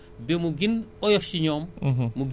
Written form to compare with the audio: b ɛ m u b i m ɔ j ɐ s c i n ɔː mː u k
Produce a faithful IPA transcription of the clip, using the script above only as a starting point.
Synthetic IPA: b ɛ m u ɡ i n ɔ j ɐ f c i ɲ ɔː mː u ɡ

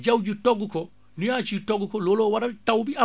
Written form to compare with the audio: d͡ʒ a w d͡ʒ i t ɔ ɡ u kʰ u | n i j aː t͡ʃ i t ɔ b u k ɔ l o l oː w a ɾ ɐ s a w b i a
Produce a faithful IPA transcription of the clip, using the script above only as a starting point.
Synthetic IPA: d͡ʒ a w d͡ʒ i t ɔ ɡ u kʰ ɔ | n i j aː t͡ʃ i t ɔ ɡ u k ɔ l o l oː w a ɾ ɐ t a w b i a

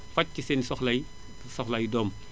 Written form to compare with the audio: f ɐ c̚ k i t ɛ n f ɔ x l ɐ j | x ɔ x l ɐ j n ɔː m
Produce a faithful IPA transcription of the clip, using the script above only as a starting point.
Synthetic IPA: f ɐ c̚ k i s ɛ n s ɔ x l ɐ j | s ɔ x l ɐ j d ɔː m

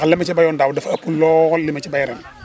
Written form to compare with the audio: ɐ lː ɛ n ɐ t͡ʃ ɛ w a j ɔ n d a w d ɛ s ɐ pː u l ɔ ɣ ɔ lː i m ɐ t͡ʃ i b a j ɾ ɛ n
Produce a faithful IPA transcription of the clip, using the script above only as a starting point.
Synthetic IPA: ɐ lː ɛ m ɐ t͡ʃ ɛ b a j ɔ n d a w d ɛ f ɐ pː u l ɔ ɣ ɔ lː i m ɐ t͡ʃ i b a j ɾ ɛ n

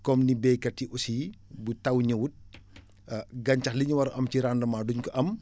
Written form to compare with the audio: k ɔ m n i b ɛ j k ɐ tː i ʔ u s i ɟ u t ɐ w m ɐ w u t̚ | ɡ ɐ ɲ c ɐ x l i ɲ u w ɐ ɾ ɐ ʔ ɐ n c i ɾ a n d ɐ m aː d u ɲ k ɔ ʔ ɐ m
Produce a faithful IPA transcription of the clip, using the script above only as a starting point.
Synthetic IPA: k ɔ m n i b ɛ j k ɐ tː i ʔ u s i b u t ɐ w ɲ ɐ w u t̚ | ɡ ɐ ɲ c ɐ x l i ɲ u w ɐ ɾ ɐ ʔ ɐ m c i ɾ a n d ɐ m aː d u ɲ k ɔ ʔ ɐ m

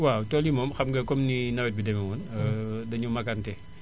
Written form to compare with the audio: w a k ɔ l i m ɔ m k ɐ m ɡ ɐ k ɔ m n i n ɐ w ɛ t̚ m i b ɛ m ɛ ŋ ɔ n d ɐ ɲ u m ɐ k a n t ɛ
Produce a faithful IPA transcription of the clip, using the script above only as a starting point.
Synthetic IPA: w a t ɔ l i m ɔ m x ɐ m ɡ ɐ k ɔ m n i n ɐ w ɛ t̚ b i d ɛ m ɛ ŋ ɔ n d ɐ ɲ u m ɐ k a n t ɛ

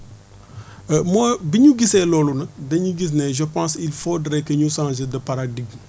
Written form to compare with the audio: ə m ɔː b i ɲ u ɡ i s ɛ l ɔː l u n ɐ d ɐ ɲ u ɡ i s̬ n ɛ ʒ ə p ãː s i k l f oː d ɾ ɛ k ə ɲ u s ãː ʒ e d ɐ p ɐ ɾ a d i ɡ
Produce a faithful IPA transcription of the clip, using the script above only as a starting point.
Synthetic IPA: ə m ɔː b i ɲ u ɡ i s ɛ l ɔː l u n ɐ d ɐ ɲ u ɡ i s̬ n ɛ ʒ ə p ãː s i l f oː d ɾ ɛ k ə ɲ u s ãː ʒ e d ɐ p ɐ ɾ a d i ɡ

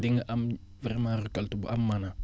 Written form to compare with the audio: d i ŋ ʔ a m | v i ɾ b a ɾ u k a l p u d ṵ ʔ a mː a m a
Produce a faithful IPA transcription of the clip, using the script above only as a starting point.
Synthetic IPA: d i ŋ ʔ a m | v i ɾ m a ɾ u k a l t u b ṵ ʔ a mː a n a

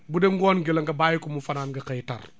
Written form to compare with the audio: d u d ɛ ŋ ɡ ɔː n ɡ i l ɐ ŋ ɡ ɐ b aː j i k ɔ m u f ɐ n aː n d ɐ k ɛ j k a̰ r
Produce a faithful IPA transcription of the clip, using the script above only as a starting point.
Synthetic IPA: b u d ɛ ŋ ɡ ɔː n ɡ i l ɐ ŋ ɡ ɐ b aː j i k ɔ m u f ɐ n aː n ɡ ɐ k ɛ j t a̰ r

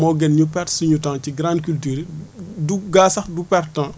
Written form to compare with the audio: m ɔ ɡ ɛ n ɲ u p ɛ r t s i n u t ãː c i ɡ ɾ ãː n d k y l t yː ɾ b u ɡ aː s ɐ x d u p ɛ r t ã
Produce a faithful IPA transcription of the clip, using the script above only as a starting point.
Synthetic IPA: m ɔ ɡ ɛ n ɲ u p ɛ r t s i ɲ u t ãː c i ɡ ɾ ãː n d k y l t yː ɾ d u ɡ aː s ɐ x d u p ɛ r t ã

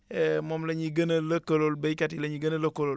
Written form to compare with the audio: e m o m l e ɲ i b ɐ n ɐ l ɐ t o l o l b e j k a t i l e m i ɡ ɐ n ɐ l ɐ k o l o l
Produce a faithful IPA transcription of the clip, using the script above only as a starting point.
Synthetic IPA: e m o m l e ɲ i ɡ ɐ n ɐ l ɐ k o l o l b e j k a t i l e ɲ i ɡ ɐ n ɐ l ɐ k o l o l

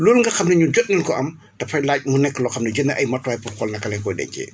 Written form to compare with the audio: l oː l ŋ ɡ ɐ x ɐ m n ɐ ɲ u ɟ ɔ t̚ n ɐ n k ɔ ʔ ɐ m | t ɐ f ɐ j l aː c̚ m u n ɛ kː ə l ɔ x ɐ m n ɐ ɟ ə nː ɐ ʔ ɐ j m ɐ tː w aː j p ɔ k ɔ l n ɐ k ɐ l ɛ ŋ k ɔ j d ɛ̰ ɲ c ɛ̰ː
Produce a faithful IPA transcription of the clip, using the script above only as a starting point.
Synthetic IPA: l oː l ŋ ɡ ɐ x ɐ m n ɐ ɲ u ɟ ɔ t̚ n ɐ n k ɔ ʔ ɐ m | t ɐ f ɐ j l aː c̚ m u n ɛ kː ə l ɔ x ɐ m n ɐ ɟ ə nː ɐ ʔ ɐ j m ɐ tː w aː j p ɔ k ɔ l n ɐ k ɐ l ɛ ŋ k ɔ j d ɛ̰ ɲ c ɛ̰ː

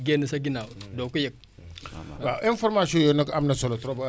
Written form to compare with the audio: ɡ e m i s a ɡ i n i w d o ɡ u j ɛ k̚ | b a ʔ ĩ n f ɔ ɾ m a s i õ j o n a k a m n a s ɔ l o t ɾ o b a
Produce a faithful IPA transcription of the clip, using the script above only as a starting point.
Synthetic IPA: ɡ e n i s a ɡ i n a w d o k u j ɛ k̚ | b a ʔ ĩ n f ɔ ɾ m a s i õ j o n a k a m n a s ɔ l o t ɾ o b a

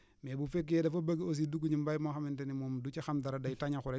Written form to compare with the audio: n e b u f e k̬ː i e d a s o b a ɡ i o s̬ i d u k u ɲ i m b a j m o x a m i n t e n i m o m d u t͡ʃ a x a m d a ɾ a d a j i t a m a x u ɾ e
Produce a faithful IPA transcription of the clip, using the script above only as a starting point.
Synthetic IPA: m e b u f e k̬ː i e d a f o b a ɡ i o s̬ i d u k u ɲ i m b a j m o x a m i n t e n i m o m d u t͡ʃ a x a m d a ɾ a d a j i t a ɲ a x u ɾ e

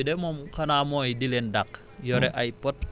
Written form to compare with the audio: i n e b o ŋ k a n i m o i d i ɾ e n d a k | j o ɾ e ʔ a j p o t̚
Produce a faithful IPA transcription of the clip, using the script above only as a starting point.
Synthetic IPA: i d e m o m k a n a m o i d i l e n d a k | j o ɾ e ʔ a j p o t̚

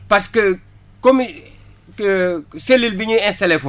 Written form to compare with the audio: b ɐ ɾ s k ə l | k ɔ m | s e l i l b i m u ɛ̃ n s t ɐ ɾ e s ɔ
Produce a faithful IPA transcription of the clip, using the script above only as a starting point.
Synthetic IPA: p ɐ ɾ s k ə | k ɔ m | s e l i l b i ɲ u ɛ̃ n s t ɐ l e f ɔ

